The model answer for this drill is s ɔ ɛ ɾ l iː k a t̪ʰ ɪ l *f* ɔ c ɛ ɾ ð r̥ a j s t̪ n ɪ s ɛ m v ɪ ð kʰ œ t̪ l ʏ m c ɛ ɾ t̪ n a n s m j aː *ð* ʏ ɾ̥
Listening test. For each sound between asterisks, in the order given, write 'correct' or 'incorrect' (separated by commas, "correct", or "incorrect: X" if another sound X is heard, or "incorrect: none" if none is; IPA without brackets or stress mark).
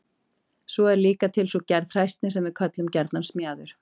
incorrect: s, correct